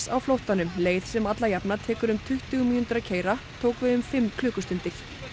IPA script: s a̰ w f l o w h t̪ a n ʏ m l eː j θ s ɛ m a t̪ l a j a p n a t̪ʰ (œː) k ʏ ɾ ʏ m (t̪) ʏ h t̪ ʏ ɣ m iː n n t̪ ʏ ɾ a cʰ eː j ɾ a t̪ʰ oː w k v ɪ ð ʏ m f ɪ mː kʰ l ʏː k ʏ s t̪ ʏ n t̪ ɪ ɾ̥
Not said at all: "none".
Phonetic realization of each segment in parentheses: ɛː, t̪ʰ

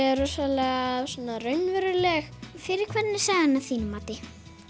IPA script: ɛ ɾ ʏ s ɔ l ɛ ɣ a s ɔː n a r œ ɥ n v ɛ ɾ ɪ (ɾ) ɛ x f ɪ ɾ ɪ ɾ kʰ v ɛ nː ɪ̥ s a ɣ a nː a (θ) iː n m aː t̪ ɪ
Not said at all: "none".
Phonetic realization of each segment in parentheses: l, θ

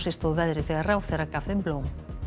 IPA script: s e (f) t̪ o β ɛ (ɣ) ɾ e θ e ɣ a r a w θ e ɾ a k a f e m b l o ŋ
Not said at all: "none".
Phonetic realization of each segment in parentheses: s, ð

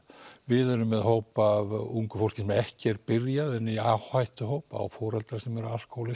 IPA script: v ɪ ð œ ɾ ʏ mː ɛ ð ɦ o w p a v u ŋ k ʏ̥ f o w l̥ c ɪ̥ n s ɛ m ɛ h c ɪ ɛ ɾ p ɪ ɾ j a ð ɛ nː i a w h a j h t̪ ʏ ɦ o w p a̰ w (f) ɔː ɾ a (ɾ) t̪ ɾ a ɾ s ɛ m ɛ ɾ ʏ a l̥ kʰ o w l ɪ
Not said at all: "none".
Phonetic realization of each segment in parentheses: f, l

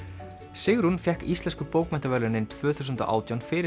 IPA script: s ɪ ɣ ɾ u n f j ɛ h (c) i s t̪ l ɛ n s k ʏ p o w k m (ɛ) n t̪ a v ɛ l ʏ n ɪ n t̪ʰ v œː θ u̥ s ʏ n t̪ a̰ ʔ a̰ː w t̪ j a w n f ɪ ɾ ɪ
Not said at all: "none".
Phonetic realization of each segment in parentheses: k, ɛ

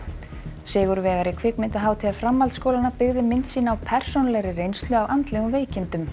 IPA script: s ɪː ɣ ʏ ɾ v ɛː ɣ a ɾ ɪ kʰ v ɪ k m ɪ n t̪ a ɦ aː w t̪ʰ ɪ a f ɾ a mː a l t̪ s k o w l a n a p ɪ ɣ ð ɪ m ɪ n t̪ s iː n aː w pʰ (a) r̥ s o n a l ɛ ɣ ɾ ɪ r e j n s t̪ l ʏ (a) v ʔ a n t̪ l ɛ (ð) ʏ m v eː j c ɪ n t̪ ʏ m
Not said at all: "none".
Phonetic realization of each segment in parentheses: ɛ, a, ɣ

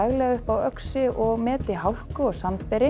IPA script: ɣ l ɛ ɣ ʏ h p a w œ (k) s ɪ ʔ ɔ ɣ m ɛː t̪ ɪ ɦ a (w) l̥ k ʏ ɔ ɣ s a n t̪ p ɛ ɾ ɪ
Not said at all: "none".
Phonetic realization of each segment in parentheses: k, w

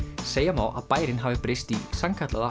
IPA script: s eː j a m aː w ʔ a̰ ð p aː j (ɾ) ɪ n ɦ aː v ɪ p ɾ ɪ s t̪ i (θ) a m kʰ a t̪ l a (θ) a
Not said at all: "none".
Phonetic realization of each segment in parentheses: ɾ, s, ð

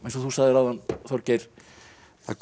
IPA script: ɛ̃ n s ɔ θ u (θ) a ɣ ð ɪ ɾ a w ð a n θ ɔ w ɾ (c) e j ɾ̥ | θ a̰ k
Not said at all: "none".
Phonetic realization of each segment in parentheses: s, c

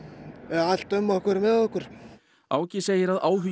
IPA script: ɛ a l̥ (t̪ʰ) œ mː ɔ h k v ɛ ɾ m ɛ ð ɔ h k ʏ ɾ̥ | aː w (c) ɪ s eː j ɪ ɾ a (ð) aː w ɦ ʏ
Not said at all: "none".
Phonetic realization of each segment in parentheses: t̪, c, ð

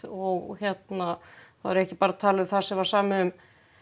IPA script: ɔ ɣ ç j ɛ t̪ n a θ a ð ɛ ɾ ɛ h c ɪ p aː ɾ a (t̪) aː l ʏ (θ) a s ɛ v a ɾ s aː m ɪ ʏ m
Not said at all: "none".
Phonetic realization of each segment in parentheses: t̪ʰ, θ

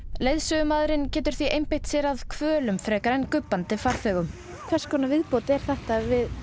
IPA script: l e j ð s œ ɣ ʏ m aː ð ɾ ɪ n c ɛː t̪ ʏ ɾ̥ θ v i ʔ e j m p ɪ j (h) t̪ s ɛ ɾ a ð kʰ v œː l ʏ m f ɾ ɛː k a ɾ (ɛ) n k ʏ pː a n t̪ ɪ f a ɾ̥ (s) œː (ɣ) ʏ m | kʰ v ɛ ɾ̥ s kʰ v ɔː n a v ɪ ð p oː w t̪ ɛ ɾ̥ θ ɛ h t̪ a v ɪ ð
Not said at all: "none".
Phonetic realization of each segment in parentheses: h, ɛ, θ, ɣ

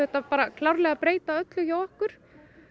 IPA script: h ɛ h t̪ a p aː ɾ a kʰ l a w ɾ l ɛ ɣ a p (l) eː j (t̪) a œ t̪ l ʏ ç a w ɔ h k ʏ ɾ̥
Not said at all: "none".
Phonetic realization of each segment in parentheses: ɾ, t̪

